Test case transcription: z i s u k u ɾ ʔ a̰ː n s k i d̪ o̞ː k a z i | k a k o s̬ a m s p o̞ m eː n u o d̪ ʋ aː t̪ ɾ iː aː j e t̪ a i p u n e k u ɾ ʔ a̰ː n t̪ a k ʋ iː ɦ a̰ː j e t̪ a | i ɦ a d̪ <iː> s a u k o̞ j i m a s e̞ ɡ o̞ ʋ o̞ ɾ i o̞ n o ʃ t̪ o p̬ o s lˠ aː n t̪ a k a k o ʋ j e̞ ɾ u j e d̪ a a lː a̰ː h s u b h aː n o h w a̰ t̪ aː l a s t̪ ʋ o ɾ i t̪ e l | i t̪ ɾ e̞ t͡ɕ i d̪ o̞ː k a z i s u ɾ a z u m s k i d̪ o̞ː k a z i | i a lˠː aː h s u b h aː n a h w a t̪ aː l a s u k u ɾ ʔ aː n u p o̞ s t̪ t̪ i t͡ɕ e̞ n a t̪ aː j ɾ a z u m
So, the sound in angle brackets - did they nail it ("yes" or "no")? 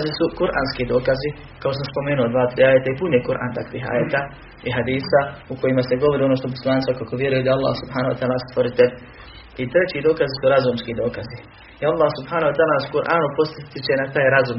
yes